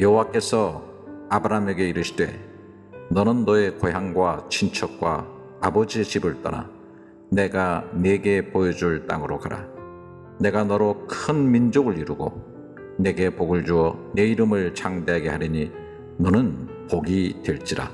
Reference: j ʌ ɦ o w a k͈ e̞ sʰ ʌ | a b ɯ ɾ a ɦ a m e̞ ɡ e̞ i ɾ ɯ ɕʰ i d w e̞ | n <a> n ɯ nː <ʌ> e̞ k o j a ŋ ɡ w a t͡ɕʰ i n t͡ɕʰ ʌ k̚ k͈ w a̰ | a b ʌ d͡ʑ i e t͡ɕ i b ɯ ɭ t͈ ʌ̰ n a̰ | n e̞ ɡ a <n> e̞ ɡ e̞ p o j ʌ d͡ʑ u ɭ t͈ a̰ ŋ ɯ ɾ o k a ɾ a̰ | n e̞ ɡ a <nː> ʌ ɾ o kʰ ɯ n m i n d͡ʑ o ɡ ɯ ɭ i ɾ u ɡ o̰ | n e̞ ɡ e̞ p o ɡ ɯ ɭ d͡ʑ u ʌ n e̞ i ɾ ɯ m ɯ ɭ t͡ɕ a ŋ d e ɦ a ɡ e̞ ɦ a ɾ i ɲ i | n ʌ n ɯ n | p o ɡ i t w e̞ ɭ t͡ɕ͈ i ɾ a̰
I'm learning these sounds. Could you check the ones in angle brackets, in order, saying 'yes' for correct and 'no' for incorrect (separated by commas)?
no, yes, yes, no